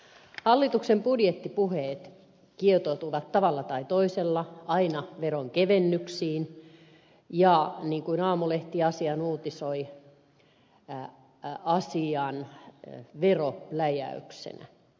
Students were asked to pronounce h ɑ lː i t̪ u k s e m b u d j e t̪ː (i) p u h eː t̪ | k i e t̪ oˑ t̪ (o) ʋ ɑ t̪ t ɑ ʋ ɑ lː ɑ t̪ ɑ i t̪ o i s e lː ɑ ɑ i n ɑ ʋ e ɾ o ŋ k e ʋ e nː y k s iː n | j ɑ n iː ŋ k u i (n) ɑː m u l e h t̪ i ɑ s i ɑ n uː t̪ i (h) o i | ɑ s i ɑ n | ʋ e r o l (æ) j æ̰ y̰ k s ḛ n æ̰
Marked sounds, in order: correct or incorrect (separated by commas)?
correct, incorrect, correct, incorrect, correct